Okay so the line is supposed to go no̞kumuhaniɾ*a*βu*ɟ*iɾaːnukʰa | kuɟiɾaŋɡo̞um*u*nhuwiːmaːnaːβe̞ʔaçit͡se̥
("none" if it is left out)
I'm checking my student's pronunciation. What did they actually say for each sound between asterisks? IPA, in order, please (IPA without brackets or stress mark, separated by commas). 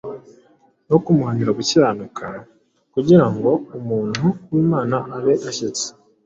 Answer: a, c, uː